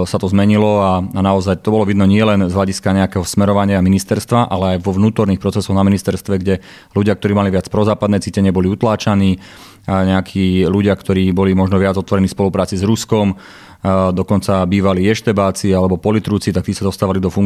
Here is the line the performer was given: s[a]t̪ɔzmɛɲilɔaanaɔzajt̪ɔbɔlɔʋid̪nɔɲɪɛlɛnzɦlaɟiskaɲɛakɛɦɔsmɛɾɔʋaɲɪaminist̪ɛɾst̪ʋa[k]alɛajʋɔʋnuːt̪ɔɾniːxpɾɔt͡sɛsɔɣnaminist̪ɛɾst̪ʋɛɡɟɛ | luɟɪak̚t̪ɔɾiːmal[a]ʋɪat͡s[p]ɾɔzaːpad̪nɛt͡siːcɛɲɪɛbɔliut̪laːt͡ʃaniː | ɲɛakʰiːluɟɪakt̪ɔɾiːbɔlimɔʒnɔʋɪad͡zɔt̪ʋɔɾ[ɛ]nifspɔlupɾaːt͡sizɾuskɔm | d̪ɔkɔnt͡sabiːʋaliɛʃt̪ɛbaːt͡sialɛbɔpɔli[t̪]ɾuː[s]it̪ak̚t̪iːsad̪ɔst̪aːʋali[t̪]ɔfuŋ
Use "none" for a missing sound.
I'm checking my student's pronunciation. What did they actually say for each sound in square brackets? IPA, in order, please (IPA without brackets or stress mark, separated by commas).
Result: a, ʔ, i, p, ɛ, t̪, t͡s, d̪